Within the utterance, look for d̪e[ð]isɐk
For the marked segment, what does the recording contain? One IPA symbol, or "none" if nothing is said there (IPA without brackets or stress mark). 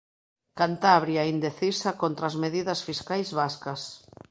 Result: θ